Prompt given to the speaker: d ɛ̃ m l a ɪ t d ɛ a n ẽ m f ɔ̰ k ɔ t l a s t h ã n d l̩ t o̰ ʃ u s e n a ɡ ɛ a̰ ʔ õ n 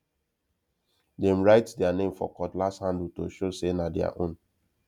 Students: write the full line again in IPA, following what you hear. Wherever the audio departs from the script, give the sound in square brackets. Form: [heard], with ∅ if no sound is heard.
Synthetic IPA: d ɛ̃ m [ɹ] a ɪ t d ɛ a n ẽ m f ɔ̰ k ɔ t l a s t h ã n d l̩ t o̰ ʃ [o] s e n a [d] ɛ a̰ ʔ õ n